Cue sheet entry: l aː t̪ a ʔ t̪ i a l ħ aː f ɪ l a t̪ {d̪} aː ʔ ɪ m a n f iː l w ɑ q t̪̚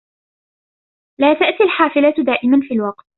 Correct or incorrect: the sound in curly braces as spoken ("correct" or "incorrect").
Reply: correct